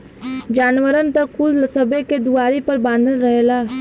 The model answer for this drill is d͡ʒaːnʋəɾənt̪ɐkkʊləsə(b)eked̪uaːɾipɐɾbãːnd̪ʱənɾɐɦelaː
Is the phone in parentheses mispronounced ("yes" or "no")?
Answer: no